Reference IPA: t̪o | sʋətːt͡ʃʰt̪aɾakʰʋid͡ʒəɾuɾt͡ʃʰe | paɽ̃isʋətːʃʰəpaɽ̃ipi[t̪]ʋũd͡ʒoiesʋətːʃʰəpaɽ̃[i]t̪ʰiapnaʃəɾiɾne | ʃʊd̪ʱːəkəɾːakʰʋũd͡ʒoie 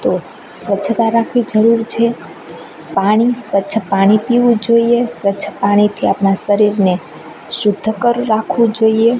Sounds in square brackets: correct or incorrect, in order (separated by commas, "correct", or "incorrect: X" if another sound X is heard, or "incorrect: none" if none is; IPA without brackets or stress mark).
incorrect: none, correct